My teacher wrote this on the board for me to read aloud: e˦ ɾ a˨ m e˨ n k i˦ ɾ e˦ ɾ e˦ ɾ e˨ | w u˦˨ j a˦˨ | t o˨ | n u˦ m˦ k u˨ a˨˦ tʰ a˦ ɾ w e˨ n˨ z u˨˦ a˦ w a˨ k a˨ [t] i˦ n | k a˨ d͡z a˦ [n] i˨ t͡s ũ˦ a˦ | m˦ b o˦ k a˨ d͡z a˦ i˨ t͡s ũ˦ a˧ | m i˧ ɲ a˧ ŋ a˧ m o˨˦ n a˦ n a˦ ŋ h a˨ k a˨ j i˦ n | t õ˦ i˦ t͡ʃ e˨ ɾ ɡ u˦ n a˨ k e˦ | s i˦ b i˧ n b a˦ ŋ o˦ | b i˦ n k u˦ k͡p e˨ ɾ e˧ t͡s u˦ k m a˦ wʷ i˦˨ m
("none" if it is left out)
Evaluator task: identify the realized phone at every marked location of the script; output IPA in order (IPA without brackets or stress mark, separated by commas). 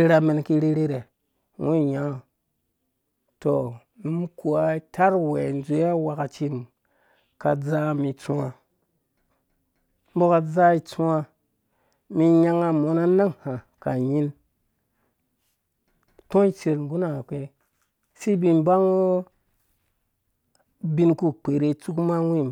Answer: t͡ʃ, m